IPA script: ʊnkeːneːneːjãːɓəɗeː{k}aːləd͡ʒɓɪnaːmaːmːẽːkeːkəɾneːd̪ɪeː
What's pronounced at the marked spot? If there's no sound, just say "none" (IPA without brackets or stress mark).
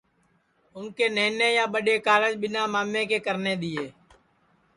k